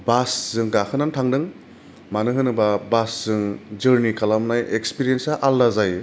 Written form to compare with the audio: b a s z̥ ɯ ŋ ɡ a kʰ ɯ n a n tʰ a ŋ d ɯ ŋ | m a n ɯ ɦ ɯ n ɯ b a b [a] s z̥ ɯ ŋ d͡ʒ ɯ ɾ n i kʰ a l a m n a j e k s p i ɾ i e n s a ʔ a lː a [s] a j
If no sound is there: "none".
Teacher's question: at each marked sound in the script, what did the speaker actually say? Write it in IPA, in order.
a, z

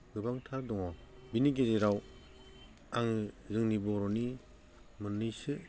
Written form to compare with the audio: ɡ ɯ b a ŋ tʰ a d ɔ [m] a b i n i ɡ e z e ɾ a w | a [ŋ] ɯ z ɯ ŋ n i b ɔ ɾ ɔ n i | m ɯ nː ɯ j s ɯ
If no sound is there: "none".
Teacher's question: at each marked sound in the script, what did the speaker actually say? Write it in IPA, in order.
ŋ, ŋ

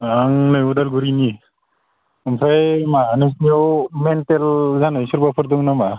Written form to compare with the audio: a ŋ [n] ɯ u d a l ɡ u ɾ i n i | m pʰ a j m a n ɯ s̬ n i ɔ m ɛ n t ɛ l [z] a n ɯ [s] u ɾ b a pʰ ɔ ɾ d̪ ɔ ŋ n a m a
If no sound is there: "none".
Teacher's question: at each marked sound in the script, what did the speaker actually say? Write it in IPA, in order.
n, z, s

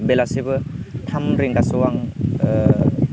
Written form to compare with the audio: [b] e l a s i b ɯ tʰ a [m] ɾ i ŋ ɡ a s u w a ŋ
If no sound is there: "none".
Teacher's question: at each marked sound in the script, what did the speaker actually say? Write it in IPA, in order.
b, m

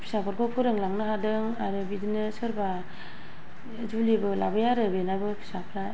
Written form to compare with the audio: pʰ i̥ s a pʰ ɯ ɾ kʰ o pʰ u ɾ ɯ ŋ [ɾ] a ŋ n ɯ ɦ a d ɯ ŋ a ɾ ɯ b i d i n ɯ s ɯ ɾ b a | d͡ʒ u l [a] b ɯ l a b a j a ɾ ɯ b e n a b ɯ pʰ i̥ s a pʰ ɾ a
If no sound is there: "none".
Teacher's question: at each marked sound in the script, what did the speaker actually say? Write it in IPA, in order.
l, i

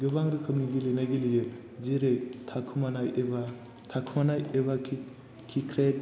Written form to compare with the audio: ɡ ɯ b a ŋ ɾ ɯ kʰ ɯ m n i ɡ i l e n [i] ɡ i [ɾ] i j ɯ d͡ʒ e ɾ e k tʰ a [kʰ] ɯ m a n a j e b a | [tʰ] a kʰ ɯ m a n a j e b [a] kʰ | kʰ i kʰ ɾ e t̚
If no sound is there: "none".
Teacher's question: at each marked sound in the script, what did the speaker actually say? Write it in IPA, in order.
a, l, kʰ, tʰ, a

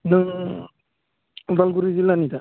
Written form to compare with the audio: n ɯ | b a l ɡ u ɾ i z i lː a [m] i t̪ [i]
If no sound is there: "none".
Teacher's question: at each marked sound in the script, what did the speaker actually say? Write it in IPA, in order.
n, a

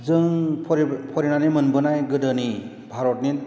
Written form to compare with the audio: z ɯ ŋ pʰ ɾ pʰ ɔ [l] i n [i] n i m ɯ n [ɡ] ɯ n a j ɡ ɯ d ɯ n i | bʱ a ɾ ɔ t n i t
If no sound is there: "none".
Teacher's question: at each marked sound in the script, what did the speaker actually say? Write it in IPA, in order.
ɾ, a, b

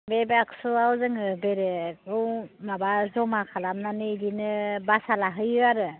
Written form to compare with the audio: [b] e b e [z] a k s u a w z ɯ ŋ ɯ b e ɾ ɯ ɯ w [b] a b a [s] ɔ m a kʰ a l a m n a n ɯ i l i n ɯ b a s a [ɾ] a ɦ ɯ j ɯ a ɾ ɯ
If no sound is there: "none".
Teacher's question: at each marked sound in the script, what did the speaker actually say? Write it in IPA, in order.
b, none, m, z, l

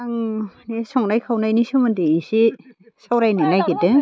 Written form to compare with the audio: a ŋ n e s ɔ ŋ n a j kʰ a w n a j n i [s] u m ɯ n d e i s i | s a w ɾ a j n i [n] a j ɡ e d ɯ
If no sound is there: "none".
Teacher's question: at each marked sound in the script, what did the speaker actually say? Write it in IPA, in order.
s, n

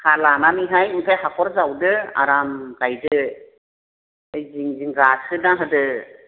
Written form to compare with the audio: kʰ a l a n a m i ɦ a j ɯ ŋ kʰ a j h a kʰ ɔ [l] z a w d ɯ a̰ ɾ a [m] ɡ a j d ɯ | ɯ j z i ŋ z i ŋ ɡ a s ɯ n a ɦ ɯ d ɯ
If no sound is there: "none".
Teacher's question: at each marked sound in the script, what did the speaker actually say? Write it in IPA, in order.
ɾ, m

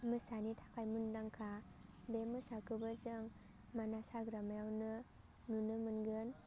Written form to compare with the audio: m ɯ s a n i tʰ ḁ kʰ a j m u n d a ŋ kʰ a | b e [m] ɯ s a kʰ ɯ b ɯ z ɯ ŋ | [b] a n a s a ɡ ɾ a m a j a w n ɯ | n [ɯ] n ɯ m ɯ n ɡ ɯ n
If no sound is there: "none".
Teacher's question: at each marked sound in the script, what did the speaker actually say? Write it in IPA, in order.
m, m, u

